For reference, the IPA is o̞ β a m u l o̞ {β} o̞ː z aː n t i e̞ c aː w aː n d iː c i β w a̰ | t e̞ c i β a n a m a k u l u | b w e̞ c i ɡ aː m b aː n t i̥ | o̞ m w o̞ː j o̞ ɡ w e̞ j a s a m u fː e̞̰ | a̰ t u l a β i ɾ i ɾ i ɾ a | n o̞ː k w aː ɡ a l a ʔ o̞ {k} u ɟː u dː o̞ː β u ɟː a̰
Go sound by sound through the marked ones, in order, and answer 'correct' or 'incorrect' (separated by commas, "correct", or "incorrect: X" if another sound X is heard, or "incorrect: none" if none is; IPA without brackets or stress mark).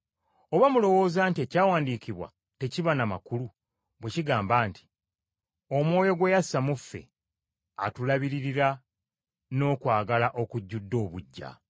incorrect: w, correct